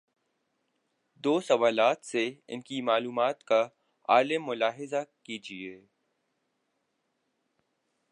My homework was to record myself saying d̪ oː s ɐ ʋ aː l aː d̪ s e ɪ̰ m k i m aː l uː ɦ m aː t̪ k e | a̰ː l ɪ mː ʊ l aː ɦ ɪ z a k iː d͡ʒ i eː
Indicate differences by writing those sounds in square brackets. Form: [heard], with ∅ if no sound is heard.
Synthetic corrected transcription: d̪ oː s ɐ ʋ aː l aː [t̪] s e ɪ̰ [n] k i m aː l uː [∅] m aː t̪ k [a] | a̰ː l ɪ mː ʊ l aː ɦ ɪ z a k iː d͡ʒ i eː